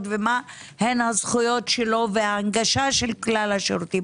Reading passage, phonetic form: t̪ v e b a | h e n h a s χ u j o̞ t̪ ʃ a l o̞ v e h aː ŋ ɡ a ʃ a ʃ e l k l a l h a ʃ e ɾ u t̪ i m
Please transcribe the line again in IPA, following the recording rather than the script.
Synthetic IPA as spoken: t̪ v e m a | h e n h a z χ u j o̞ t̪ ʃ e l o̞ v e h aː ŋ ɡ a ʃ a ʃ e l k l a l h a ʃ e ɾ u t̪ i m